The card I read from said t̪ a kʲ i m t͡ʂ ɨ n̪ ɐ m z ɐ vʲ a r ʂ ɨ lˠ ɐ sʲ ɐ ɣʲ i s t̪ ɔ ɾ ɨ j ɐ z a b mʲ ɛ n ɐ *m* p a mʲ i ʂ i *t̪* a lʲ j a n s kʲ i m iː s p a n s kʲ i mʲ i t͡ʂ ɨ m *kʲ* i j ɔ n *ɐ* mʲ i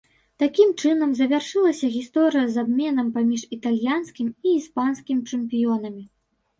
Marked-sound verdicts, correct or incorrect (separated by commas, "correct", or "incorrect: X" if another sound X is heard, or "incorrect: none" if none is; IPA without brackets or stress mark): correct, correct, incorrect: pʲ, correct